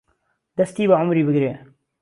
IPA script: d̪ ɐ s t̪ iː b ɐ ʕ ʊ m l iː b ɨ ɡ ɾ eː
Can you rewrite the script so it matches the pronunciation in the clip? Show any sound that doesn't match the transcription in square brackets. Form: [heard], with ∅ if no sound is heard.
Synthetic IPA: d̪ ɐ s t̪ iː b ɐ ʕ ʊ m [ɾ] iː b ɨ ɡ ɾ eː